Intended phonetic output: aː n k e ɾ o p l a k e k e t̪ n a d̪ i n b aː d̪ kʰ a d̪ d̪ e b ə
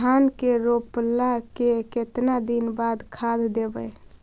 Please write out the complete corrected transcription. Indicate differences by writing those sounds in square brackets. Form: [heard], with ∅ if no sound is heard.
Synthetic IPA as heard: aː n k e ɾ o p l a k e k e t̪ n a d̪ i n b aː d̪ kʰ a d̪ d̪ e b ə

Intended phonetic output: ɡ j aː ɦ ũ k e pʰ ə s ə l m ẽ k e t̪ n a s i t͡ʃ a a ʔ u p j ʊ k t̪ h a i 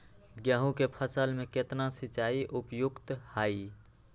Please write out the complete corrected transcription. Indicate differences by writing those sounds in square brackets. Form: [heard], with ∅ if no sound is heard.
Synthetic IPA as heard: ɡ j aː ɦ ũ k e pʰ ə s ə l m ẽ k e t̪ n a s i t͡ʃ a [i] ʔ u p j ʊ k t̪ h a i

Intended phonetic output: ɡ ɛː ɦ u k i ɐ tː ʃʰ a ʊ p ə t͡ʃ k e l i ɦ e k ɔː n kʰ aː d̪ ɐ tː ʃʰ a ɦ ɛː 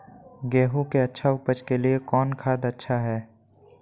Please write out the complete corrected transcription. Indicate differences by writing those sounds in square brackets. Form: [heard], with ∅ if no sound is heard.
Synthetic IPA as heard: ɡ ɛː ɦ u k [e] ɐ tː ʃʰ a ʊ p ə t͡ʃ k e l i [∅] e k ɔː n kʰ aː d̪ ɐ tː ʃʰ a ɦ ɛː

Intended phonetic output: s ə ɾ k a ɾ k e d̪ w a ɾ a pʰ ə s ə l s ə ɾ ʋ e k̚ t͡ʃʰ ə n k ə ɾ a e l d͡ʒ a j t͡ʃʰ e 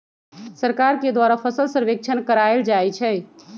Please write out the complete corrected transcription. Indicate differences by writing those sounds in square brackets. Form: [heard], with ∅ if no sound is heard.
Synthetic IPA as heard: s ə ɾ k a ɾ k e d̪ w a ɾ a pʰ ə s ə l s ə ɾ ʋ e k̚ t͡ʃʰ ə n k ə ɾ a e l d͡ʒ a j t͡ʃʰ [ɛ]

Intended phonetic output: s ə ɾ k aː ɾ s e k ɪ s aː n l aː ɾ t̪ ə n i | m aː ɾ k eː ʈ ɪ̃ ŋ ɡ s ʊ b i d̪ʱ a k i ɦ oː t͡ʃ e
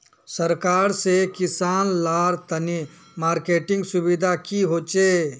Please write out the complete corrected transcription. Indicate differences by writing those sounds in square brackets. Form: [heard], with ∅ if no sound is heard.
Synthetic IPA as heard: s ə ɾ k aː ɾ s e k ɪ s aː n l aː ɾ t̪ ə n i | m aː ɾ k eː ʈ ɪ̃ ŋ ɡ s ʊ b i d̪ʱ a k i ɦ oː t͡ʃ e

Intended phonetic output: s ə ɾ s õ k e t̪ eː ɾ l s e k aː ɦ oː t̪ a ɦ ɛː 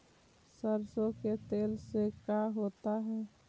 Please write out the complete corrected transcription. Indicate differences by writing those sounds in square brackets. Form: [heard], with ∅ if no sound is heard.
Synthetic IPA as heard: s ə ɾ s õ k e t̪ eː [∅] l s e k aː ɦ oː t̪ a ɦ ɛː

